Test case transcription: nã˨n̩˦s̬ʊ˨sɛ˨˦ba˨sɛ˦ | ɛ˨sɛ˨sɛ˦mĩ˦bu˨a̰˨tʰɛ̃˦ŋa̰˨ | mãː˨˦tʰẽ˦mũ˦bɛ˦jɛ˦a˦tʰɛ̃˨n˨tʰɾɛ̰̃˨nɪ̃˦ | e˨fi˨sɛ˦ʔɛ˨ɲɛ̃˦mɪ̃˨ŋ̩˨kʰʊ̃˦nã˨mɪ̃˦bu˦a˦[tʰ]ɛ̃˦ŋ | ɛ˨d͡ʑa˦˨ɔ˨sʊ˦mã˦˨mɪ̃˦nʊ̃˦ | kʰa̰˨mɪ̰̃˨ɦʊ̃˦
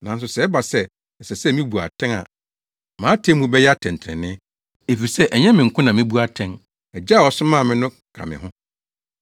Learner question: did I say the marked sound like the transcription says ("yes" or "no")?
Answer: yes